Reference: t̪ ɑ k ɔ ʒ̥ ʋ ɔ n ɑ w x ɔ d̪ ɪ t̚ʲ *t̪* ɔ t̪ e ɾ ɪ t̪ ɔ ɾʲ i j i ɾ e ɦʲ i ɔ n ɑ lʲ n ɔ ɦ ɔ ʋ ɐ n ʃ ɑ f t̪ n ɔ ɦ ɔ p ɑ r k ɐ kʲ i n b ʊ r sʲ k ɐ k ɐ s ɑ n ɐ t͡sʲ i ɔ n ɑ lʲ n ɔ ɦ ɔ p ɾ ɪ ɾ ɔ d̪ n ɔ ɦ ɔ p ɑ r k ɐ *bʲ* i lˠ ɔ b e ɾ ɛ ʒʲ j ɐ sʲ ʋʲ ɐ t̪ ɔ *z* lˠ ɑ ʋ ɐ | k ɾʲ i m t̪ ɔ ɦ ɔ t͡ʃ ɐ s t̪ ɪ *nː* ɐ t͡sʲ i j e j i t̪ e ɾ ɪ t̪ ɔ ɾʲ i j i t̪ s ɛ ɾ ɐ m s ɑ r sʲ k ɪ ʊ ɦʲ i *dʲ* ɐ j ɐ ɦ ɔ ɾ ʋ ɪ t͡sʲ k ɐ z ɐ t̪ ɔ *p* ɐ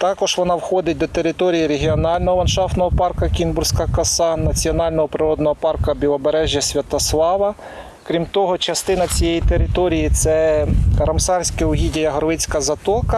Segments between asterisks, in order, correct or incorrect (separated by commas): incorrect, correct, incorrect, incorrect, correct, incorrect